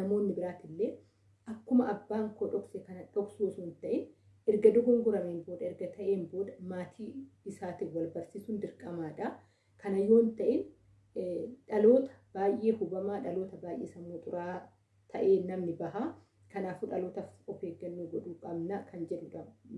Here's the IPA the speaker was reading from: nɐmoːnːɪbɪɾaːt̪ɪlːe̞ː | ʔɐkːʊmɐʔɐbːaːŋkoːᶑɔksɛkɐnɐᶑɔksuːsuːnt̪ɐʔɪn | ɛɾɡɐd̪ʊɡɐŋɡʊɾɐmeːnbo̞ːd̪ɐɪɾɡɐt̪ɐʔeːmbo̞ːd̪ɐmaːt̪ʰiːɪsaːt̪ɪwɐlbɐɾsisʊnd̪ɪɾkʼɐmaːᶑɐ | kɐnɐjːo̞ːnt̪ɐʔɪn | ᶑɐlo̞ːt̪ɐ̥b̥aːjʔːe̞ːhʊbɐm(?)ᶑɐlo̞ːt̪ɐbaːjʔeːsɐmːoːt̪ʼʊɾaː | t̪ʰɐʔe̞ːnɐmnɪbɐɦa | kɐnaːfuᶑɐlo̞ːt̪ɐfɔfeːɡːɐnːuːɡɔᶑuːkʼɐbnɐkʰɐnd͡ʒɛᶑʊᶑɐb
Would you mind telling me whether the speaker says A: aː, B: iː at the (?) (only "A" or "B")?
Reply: A